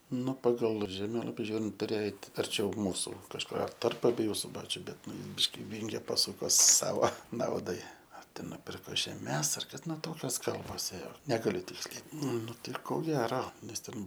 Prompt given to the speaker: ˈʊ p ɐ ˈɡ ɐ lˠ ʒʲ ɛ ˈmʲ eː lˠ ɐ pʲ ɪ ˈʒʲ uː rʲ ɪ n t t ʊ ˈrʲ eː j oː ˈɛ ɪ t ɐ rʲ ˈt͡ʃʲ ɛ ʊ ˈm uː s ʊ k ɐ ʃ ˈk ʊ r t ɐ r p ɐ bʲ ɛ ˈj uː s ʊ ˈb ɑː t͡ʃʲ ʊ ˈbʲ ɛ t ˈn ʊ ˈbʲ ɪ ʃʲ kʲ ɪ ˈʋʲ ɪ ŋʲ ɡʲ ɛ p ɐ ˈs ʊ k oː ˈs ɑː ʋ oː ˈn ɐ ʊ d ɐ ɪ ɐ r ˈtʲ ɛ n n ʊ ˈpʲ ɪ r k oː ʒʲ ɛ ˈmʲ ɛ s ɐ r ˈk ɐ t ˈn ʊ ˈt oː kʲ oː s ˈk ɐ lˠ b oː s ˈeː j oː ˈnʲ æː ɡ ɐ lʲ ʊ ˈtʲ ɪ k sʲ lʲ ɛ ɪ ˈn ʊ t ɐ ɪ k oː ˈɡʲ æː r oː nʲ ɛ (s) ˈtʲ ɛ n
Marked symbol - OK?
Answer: yes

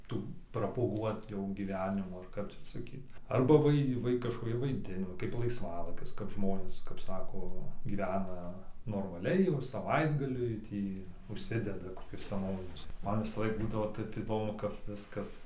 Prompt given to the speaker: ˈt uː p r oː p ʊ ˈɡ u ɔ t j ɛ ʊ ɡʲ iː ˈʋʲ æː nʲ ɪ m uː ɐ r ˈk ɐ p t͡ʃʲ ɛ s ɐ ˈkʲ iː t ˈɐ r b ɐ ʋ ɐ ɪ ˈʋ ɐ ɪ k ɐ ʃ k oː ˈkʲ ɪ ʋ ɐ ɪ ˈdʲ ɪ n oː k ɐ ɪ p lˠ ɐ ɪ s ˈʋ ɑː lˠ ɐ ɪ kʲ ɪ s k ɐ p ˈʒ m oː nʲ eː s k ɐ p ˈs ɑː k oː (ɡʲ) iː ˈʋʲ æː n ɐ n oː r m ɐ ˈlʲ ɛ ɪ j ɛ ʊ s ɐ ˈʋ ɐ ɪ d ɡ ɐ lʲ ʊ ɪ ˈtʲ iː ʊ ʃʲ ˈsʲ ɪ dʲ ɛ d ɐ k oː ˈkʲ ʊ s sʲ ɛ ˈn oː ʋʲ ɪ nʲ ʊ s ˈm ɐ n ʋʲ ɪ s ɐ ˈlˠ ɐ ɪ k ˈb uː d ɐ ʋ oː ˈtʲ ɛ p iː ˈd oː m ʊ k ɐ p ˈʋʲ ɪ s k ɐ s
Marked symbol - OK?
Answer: yes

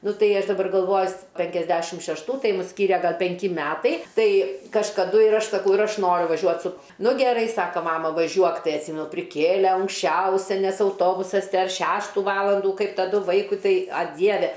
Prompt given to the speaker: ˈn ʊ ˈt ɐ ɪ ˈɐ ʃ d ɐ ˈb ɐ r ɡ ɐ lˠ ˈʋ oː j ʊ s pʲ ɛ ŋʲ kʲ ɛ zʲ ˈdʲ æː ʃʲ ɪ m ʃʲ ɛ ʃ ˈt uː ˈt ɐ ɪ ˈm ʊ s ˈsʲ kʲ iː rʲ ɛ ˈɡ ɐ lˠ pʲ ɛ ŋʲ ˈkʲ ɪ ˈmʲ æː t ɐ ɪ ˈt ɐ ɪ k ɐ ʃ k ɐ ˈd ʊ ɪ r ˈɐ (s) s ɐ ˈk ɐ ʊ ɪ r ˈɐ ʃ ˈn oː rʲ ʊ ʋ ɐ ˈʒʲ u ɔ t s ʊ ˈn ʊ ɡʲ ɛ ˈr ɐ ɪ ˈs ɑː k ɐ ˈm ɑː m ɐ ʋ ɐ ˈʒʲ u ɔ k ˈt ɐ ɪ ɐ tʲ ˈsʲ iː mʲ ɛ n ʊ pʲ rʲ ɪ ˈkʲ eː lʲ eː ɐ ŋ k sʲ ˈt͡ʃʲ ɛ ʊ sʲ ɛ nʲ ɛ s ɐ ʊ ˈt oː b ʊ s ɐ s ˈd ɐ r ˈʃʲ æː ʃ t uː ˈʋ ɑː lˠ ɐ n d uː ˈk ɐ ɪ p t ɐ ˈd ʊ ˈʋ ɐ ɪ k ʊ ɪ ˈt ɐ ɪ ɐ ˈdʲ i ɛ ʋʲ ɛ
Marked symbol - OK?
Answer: no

